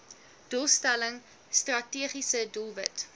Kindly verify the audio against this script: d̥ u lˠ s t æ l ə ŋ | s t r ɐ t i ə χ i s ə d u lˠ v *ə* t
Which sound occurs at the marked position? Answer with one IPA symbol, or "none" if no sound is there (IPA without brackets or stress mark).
ə